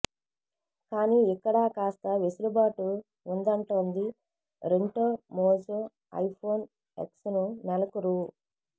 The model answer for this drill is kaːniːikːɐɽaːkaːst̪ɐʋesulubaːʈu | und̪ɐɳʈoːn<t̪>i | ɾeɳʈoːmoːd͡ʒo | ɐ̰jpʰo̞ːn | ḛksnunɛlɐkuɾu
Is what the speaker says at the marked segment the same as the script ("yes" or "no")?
no